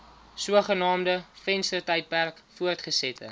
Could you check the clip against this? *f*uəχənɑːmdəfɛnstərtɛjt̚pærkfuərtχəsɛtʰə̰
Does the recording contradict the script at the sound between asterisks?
yes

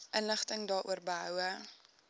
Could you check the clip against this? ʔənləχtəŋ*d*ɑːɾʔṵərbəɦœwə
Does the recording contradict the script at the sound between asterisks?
no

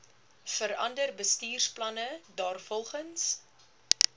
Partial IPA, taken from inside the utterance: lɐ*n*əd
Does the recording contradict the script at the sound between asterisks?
no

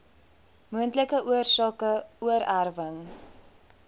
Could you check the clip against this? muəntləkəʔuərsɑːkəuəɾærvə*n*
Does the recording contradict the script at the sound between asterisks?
yes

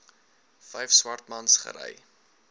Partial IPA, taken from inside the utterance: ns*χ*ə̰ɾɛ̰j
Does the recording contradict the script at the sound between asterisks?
no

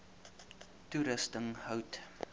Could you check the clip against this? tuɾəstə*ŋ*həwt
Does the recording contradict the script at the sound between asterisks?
no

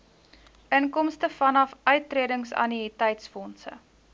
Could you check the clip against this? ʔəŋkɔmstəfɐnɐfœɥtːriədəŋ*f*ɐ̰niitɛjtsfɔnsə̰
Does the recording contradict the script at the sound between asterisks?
yes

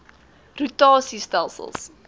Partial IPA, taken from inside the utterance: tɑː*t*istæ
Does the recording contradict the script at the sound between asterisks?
yes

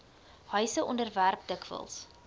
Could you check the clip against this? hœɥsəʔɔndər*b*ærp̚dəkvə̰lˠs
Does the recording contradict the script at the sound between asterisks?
yes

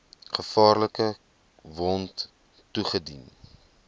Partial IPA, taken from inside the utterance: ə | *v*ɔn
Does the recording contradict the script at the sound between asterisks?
no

